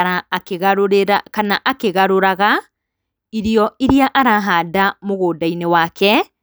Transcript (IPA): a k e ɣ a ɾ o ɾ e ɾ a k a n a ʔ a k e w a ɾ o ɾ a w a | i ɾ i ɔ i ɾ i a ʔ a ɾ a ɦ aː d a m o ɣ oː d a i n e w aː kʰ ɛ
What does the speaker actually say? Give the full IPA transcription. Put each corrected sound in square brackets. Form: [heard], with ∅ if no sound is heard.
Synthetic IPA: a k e ɣ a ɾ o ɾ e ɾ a k a n a ʔ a k e [ɣ] a ɾ o ɾ a [ɣ] a | i ɾ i ɔ i ɾ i a ʔ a ɾ a ɦ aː d a m o ɣ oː d a i n e w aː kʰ ɛ